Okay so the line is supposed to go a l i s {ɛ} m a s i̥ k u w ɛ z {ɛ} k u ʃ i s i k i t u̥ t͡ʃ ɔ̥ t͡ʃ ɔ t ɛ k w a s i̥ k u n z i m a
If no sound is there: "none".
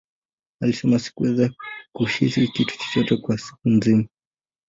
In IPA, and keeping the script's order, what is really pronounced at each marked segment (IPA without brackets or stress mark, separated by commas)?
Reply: ɛ, a